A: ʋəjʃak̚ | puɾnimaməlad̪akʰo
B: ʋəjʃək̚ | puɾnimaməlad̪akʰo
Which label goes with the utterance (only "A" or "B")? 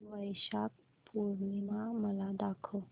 A